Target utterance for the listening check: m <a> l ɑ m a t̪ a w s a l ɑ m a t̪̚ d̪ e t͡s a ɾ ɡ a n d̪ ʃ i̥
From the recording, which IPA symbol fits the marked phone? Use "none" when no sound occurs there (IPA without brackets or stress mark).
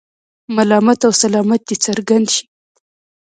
a